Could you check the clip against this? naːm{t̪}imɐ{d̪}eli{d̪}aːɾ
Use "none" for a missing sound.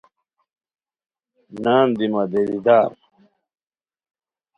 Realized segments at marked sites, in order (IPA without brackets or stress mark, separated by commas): d̪, d̪, d̪